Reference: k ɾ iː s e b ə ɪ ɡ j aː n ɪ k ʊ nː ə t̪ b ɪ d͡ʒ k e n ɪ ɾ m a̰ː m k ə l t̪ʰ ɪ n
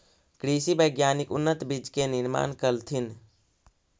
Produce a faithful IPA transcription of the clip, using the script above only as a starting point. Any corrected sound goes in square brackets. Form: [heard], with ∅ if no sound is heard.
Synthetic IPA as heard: k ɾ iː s [i] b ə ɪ ɡ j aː n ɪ k ʊ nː ə t̪ b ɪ d͡ʒ k e n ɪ ɾ m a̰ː [n] k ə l t̪ʰ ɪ n